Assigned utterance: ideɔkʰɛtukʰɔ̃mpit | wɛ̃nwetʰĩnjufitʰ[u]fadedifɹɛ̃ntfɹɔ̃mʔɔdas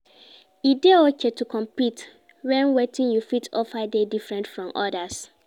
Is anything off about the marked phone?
yes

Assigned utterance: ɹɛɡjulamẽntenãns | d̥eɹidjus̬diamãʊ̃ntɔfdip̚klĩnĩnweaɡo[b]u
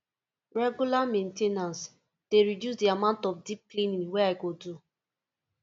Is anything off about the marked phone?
yes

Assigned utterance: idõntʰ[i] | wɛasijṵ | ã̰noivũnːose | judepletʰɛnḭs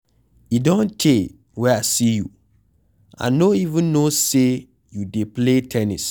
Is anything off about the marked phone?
yes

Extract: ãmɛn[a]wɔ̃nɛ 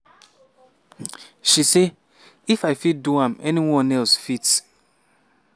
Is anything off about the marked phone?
yes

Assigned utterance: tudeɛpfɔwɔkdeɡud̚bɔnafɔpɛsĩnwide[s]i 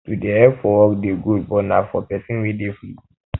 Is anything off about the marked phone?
yes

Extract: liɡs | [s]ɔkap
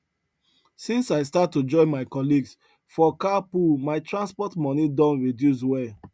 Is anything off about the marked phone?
yes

